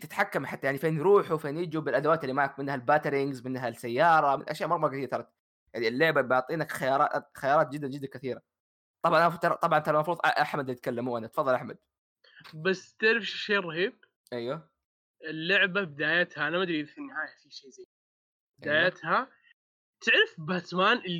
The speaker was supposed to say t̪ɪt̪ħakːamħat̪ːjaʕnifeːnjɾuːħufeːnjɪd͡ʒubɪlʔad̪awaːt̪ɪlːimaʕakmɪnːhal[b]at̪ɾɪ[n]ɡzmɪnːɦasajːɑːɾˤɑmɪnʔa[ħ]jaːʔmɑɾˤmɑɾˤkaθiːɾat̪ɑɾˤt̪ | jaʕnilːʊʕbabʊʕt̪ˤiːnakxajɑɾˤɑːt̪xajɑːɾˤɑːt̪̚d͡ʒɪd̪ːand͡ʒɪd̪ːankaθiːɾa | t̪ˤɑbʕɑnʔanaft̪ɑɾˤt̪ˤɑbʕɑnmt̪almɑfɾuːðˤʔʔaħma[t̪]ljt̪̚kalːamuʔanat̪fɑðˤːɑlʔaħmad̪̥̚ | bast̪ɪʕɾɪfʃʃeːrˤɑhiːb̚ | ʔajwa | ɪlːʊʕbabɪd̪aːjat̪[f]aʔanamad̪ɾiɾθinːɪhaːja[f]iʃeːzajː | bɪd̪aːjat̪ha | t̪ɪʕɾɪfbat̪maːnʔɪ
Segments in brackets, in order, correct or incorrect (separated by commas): correct, incorrect, incorrect, incorrect, incorrect, correct